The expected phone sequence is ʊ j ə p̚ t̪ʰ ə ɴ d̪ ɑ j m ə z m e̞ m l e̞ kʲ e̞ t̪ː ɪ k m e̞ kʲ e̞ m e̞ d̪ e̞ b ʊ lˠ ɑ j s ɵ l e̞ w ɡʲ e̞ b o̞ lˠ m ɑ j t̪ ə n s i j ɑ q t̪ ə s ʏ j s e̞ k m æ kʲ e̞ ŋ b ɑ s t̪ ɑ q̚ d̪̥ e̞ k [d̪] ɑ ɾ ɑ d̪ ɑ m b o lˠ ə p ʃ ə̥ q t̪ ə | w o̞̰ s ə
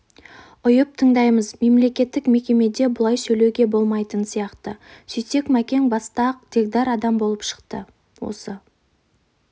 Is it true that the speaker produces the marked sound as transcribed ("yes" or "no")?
yes